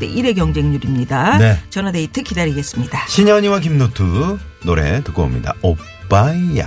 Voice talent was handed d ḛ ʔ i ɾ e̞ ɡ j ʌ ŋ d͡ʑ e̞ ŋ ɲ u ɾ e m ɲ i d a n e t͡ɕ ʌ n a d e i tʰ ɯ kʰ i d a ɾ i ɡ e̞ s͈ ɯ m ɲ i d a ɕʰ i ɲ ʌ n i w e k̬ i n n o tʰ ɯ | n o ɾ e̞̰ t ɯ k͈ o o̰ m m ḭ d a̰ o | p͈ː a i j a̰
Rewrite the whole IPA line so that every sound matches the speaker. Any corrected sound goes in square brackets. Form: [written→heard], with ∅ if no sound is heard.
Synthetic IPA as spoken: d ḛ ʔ i ɾ e̞ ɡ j ʌ ŋ d͡ʑ e̞ ŋ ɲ u ɾ [e→i] m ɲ i d a n e t͡ɕ ʌ n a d e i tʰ ɯ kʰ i d a ɾ i ɡ e̞ s͈ ɯ m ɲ i d a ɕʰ i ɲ ʌ [n→ɲ] i w [e→a] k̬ i [n→m] n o tʰ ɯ | n o ɾ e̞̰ t ɯ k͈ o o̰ m [m→ɲ] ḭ d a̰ o | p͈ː a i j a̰